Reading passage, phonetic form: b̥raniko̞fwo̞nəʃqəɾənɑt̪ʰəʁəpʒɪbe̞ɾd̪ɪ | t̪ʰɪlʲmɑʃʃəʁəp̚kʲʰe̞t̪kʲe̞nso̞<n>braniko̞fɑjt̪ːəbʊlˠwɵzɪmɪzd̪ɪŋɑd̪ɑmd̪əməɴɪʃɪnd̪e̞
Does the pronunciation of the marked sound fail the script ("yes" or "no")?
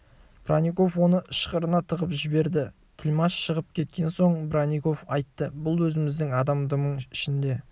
yes